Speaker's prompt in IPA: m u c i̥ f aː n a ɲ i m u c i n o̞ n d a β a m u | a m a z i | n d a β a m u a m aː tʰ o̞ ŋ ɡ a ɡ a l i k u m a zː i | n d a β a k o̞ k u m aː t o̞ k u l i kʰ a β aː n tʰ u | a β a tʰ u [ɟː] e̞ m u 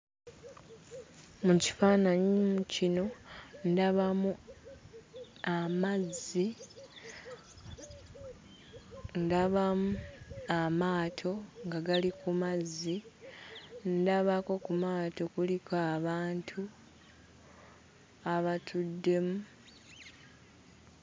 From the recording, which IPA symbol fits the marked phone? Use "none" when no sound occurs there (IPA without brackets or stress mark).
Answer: dː